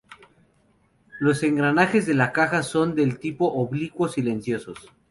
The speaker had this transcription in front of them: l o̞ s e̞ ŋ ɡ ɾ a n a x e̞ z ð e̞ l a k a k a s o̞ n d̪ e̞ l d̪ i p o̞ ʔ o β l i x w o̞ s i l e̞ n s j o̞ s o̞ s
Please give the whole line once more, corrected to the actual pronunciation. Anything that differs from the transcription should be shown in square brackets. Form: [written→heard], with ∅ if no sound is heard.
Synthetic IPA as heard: l o̞ s e̞ ŋ ɡ ɾ a n a x e̞ z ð e̞ l a k a [k→x] a s o̞ n d̪ e̞ l [d̪→t̪] i p o̞ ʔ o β l i [x→k] w o̞ s i l e̞ n s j o̞ s o̞ s